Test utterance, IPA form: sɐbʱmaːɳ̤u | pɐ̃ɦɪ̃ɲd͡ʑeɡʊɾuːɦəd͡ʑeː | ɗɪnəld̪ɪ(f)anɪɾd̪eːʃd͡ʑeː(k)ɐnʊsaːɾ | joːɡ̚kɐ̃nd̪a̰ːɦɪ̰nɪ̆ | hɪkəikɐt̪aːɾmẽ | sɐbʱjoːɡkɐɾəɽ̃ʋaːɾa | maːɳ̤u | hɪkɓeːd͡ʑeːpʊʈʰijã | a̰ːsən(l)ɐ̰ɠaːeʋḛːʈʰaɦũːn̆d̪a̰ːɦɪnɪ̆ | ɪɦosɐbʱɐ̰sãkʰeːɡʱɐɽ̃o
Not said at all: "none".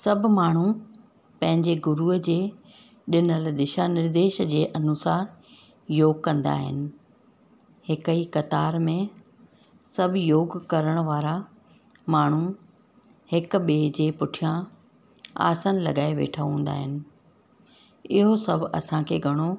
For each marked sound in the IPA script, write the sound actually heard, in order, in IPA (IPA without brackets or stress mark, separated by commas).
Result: ʃ, ʔ, l